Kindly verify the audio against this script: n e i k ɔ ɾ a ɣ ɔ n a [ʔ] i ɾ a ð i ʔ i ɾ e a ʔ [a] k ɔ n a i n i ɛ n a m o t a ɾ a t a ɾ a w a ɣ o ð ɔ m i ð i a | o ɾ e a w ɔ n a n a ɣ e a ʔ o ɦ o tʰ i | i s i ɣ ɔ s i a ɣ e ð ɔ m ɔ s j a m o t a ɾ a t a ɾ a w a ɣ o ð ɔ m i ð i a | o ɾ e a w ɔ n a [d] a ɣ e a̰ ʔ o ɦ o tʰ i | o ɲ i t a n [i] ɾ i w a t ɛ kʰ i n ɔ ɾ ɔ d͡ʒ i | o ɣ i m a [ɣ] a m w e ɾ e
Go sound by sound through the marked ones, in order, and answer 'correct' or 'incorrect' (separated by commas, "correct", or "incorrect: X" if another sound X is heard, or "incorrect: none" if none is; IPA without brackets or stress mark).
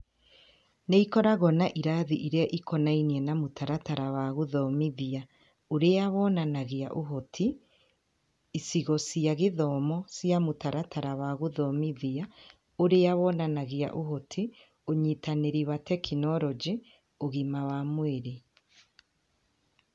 correct, incorrect: i, incorrect: n, incorrect: e, incorrect: w